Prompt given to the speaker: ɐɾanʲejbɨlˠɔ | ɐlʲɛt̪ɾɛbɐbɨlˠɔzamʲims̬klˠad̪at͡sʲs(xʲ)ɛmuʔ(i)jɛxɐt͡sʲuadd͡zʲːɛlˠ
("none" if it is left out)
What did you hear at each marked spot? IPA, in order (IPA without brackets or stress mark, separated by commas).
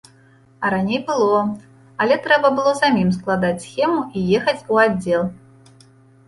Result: xʲ, i